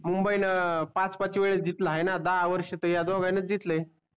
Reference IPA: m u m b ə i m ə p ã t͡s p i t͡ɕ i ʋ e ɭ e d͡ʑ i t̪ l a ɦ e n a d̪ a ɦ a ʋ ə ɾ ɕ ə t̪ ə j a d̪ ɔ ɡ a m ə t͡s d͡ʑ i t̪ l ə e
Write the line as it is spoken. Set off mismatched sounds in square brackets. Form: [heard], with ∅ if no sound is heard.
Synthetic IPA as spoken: m u m b ə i [n] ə p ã t͡s p [a] t͡ɕ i ʋ e ɭ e d͡ʑ i t̪ l a ɦ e n a d̪ a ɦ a ʋ ə ɾ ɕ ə t̪ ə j a d̪ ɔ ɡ a [n] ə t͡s d͡ʑ i t̪ l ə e